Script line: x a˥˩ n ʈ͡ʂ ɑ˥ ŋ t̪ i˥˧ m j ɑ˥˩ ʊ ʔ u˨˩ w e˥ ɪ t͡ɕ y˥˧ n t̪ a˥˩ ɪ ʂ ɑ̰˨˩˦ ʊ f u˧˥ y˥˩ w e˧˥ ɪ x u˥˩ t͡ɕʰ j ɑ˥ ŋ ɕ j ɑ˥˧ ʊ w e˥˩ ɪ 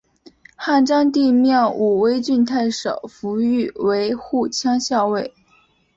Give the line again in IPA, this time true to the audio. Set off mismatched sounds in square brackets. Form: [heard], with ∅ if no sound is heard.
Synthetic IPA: x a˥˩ n ʈ͡ʂ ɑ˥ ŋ t̪ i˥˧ m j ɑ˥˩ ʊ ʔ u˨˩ w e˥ ɪ t͡ɕ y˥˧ n [t̪ʰ] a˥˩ ɪ ʂ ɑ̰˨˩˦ ʊ f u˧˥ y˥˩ w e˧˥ ɪ x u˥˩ t͡ɕʰ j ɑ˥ ŋ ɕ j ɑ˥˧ ʊ w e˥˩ ɪ